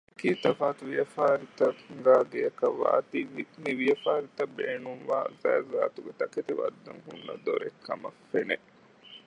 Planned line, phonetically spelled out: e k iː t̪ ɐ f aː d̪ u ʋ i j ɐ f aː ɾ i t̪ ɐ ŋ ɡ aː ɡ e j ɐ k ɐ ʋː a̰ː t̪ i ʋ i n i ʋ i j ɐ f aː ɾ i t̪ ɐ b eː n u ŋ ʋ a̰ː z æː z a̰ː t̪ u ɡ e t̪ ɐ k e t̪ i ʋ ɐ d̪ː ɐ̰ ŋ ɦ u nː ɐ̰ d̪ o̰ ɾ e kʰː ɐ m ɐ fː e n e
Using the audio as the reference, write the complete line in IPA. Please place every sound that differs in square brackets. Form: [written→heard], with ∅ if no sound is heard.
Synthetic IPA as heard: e k iː t̪ ɐ f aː [d̪→t̪] u ʋ i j ɐ f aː ɾ i t̪ ɐ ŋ ɡ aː ɡ e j ɐ k ɐ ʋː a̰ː t̪ i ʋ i n i ʋ i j ɐ f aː ɾ i t̪ ɐ b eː n u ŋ ʋ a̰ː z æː z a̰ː t̪ u ɡ e t̪ ɐ k e t̪ i ʋ ɐ d̪ː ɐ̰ ŋ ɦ u nː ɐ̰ d̪ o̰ ɾ e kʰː ɐ m ɐ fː e n e

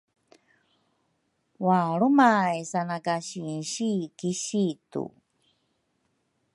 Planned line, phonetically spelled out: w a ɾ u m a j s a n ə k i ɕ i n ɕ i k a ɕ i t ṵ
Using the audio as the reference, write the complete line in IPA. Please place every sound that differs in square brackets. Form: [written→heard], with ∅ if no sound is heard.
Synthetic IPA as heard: w a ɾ u m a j s a n [ə→a] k [i→a] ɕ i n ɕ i k [a→i] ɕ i t ṵ

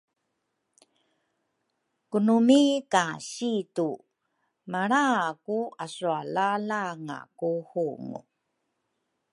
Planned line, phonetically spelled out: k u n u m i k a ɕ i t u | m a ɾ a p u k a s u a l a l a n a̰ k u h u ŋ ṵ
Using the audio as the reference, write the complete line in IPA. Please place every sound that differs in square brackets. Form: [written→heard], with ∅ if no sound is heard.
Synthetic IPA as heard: k u n u m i k a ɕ i t u | m a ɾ a [p→k] u [k→∅] a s u a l a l a [n→ŋ] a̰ k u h u ŋ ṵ

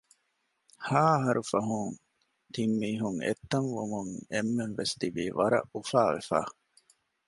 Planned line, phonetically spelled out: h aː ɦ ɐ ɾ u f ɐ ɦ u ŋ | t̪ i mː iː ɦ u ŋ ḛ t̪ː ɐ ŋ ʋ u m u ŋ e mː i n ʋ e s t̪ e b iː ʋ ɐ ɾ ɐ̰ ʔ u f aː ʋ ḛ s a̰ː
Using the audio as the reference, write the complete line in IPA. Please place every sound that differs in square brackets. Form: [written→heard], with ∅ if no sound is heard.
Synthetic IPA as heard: h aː ɦ ɐ ɾ u f ɐ ɦ u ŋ | t̪ i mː iː ɦ u ŋ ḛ t̪ː ɐ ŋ ʋ u m u ŋ e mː [i→e] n ʋ e s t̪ [e→i] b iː ʋ ɐ ɾ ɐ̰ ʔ u f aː ʋ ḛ [s→f] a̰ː

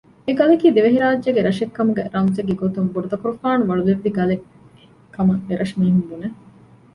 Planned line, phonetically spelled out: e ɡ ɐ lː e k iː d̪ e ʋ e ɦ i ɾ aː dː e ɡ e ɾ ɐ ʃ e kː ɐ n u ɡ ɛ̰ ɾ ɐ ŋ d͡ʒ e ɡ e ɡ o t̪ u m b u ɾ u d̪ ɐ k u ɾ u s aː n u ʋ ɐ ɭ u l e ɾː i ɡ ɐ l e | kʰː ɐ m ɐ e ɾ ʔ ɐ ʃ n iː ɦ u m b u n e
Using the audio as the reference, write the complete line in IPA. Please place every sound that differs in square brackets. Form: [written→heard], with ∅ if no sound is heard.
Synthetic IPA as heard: e ɡ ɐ [lː→l] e k iː d̪ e ʋ e ɦ i ɾ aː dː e ɡ e ɾ ɐ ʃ e kː ɐ [n→m] u ɡ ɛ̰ ɾ ɐ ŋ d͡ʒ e ɡ e ɡ o t̪ u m b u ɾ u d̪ ɐ k u ɾ u [s→f] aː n u ʋ ɐ ɭ u l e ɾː i ɡ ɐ l e | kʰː ɐ m ɐ e ɾ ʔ ɐ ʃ [n→m] iː ɦ u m b u n e

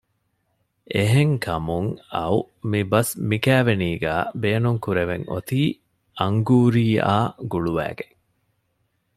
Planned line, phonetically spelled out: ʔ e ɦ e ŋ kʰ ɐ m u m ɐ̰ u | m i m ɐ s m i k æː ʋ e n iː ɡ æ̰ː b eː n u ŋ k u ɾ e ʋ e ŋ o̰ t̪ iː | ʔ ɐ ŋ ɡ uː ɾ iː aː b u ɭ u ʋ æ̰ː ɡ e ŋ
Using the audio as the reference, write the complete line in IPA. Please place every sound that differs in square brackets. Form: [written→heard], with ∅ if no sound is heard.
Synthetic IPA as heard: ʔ e ɦ e ŋ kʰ ɐ m u [m→ŋ] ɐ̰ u | m i [m→b] ɐ s m i k æː ʋ e n iː ɡ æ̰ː b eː n u ŋ k u ɾ e ʋ e ŋ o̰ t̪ iː | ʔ ɐ ŋ ɡ uː ɾ iː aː [b→ɡ] u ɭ u ʋ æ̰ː ɡ e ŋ

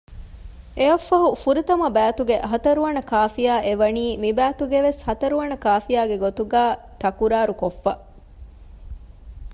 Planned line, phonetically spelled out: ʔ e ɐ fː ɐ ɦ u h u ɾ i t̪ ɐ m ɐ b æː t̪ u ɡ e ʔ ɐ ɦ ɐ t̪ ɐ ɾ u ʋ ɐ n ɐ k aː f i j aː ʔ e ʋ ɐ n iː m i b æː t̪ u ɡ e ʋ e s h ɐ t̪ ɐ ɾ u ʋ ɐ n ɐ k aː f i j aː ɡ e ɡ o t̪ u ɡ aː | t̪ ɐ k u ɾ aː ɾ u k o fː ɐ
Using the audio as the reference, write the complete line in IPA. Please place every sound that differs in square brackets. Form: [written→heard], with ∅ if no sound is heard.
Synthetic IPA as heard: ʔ e ɐ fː ɐ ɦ u [h→f] u ɾ i t̪ ɐ m ɐ b æː t̪ u ɡ e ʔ ɐ ɦ ɐ t̪ ɐ ɾ u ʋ ɐ n ɐ k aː f i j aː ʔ e ʋ ɐ n iː m i b æː t̪ u ɡ e ʋ e s h ɐ t̪ ɐ ɾ u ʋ ɐ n ɐ k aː f i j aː ɡ e ɡ o t̪ u ɡ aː | t̪ ɐ k u ɾ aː ɾ u k o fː ɐ

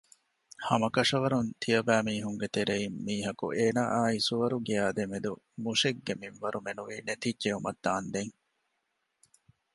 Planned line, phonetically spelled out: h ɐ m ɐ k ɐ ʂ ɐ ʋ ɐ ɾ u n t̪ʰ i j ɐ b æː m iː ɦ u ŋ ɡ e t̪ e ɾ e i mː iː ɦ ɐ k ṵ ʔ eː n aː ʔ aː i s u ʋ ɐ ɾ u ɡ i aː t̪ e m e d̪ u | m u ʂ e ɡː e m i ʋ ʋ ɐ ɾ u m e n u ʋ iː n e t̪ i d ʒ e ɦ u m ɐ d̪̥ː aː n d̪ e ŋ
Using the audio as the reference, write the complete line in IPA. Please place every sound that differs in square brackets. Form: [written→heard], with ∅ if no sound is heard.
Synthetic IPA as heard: h ɐ m ɐ k ɐ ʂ ɐ ʋ ɐ ɾ u n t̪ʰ i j ɐ b æː m iː ɦ u ŋ ɡ e t̪ e ɾ e i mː iː ɦ ɐ k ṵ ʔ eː n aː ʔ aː i s u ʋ ɐ ɾ u ɡ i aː [t̪→d̪] e m e d̪ u | m u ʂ e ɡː e m i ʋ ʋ ɐ ɾ u m e n u ʋ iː n e t̪ i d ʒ e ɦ u m ɐ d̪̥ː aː n d̪ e ŋ

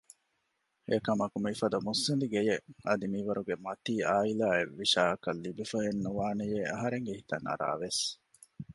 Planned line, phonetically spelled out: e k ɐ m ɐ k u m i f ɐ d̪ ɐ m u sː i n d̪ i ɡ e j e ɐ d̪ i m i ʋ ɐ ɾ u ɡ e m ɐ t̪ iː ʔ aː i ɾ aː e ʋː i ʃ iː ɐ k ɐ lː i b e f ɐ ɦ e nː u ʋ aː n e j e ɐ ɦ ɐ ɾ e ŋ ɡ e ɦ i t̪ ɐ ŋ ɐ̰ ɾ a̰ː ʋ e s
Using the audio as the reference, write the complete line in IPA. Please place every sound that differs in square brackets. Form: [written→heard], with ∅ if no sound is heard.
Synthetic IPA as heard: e k ɐ m ɐ k u m i f ɐ d̪ ɐ m u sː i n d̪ i ɡ e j e ɐ d̪ i m i ʋ ɐ ɾ u ɡ e m ɐ t̪ iː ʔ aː i [ɾ→l] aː e ʋː i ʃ [iː→aː] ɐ k ɐ lː i b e f ɐ ɦ e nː u ʋ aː n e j e ɐ ɦ ɐ ɾ e ŋ ɡ e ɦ i t̪ ɐ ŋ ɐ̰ ɾ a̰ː ʋ e s

